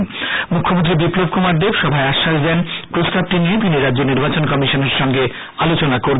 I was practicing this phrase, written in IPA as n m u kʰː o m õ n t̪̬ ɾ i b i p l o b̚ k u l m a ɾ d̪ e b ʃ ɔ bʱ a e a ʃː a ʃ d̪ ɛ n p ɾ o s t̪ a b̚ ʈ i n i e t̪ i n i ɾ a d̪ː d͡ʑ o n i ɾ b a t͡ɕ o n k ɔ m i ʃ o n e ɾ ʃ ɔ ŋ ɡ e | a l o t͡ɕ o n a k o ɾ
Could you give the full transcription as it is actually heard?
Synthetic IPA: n m u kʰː o m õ n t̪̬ ɾ i b i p l o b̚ k u m a ɾ d̪ e b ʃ ɔ bʱ a e a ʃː a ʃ d̪ ɛ n p ɾ o s t̪ a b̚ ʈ i n i e t̪ i n i ɾ a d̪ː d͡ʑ o n i ɾ b a t͡ɕ o n k ɔ m i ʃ o n e ɾ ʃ ɔ ŋ ɡ e | a l o t͡ɕ o n a k o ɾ